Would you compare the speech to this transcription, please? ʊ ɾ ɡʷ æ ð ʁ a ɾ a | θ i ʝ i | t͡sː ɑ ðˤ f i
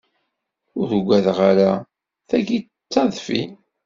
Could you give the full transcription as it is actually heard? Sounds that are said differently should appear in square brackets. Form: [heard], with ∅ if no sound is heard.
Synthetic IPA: ʊ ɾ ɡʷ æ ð ʁ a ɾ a | θ [æ] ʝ i | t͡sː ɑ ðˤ f i